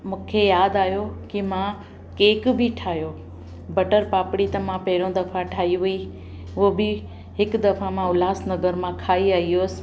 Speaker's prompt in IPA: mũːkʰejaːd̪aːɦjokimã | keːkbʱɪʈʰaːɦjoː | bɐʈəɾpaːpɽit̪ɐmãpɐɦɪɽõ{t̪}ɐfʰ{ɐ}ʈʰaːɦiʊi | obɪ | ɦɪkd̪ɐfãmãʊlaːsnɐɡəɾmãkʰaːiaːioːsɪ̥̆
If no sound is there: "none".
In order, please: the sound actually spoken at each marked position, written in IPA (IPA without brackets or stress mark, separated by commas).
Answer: d̪, a